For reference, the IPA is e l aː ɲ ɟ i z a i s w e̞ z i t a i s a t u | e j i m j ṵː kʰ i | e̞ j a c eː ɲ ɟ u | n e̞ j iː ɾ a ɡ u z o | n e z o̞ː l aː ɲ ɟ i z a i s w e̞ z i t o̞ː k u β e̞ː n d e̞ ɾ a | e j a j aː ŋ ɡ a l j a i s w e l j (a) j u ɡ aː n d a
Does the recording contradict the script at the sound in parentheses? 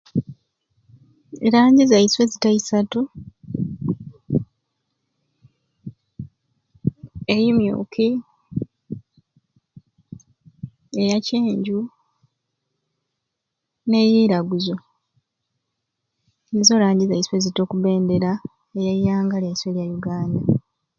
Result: no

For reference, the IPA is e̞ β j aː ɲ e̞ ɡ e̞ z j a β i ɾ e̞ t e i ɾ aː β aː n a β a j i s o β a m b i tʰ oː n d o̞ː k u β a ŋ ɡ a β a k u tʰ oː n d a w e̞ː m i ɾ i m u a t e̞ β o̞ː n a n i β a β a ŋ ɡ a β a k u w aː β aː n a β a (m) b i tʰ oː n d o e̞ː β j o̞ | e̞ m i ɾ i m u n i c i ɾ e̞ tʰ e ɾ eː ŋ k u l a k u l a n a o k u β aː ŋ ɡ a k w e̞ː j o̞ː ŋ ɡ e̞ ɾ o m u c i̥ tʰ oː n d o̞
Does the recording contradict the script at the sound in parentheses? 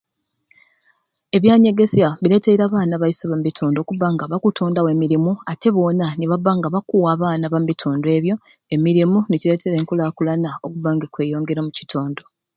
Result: no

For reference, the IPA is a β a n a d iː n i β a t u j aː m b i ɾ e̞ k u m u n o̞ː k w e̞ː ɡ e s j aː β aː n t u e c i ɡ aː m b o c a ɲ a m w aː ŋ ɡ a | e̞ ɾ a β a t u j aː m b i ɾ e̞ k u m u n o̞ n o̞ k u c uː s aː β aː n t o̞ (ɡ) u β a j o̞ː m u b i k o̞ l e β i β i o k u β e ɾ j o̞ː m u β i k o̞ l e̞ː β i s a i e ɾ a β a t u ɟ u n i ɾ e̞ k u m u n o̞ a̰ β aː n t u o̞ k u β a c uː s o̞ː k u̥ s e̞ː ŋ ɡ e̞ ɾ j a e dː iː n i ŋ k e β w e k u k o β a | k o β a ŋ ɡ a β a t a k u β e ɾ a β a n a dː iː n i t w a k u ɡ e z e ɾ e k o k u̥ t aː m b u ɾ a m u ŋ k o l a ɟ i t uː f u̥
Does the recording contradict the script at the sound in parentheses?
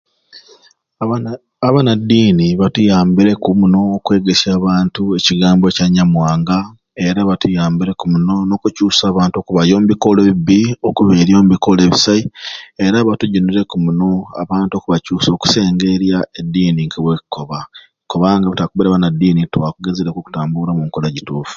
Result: yes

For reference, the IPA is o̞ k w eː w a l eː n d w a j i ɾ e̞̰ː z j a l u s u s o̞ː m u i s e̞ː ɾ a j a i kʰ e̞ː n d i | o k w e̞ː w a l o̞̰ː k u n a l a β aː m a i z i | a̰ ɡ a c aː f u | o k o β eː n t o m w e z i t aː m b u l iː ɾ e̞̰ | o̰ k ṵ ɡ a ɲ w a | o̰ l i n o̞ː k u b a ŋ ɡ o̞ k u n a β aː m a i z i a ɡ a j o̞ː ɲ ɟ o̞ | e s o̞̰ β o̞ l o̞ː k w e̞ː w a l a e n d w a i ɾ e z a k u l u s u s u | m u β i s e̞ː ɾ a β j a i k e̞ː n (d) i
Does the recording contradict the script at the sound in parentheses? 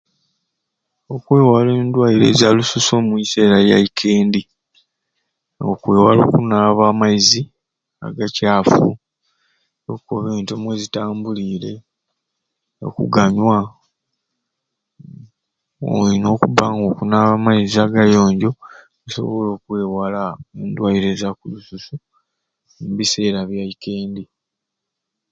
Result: no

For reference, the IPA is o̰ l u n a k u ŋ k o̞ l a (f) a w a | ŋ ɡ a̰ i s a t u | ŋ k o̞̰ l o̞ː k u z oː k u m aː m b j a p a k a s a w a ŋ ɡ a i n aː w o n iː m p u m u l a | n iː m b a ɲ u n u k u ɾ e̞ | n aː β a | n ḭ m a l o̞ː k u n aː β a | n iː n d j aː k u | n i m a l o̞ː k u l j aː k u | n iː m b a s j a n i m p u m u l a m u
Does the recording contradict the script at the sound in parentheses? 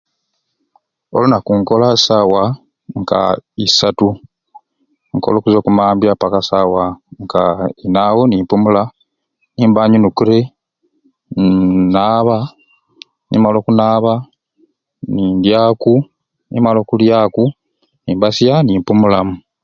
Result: yes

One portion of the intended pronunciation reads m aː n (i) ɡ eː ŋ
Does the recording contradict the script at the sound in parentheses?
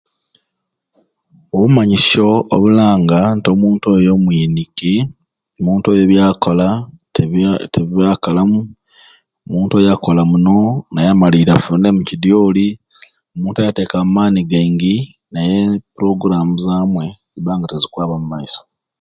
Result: no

